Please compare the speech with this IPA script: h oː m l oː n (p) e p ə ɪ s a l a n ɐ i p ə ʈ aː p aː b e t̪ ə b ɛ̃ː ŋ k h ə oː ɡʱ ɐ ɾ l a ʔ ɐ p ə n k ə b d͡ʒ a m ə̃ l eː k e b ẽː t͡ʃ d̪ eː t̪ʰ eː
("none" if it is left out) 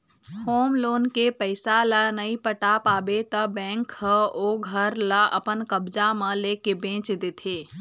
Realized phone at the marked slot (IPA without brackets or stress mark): k